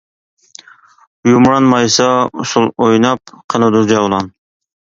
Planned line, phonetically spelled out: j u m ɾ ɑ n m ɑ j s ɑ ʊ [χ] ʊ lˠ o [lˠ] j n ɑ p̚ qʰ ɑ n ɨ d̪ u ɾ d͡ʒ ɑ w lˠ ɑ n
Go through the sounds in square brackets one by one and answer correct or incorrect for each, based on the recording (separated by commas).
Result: incorrect, incorrect